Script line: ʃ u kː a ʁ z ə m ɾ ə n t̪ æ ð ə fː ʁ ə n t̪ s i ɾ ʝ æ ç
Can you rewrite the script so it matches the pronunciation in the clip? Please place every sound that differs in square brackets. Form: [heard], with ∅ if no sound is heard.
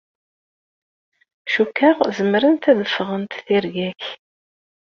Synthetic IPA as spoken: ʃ u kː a ʁ z ə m ɾ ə n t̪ æ ð ə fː ʁ ə n t̪ [θ] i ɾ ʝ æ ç